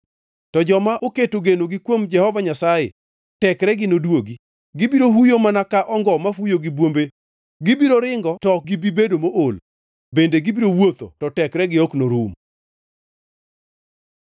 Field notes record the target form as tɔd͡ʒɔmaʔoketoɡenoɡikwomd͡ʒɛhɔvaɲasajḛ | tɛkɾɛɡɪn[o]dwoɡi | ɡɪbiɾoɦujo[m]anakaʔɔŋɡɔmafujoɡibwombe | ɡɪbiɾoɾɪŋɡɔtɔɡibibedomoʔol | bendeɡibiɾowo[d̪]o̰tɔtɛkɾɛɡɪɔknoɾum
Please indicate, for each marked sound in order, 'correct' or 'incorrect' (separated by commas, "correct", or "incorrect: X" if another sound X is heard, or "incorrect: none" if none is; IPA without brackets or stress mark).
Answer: correct, correct, incorrect: t̪